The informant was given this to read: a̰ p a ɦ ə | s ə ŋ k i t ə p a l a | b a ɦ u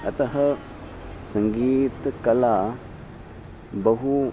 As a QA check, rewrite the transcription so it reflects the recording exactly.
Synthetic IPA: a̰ t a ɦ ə | s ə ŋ ɡ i t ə k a l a | b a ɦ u